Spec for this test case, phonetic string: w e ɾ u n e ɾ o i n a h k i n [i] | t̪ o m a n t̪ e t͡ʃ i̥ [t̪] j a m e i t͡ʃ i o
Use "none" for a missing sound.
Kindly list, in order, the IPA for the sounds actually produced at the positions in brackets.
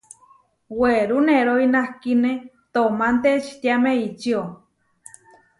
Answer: e, t̪

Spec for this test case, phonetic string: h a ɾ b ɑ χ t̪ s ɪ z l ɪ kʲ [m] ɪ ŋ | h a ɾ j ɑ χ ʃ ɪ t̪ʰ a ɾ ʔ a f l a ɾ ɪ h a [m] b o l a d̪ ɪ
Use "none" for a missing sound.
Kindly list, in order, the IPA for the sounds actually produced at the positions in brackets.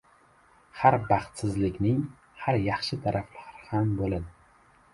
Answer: n, m

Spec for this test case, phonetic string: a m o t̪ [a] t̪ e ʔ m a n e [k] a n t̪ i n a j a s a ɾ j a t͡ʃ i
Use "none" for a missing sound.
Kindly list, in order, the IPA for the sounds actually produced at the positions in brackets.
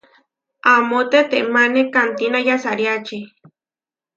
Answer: e, k

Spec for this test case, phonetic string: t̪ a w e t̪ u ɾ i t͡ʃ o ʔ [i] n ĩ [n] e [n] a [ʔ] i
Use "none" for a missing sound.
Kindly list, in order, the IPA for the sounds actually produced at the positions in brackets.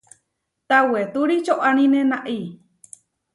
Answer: a, n, n, ʔ

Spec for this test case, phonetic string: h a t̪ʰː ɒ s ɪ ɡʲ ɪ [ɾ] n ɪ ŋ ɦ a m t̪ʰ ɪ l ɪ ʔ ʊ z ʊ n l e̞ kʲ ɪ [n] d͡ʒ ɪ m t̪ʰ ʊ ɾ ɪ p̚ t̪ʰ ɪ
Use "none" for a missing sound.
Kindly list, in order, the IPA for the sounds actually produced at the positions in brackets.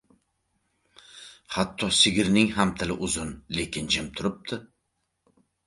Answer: ɾ, n

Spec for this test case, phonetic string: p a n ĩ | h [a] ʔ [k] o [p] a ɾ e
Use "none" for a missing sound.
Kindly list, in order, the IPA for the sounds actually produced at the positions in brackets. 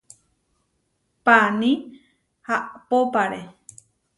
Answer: a, p, p

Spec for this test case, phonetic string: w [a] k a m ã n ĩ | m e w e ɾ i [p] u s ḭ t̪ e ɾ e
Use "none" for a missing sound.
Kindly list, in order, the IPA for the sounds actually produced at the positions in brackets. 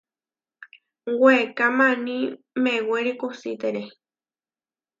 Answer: e, k

